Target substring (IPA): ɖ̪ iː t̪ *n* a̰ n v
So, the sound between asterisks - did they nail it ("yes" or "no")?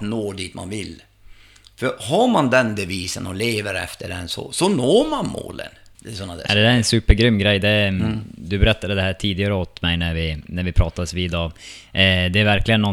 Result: no